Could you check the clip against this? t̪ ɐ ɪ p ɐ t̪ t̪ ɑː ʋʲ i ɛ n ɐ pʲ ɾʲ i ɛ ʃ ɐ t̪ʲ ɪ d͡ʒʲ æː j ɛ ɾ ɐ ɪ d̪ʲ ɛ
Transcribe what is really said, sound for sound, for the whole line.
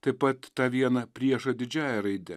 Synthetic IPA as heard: t̪ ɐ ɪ p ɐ t̪ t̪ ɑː ʋʲ i ɛ n ɐ pʲ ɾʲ i ɛ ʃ ɐ d̪ʲ ɪ d͡ʒʲ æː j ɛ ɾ ɐ ɪ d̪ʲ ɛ